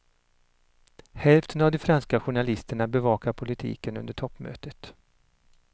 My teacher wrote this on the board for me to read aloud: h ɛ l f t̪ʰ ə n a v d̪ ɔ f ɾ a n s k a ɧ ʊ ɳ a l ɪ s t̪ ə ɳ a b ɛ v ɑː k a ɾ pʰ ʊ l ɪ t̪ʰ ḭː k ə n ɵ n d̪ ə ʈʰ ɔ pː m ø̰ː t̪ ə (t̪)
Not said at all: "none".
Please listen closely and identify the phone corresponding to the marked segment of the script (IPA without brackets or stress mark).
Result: t̪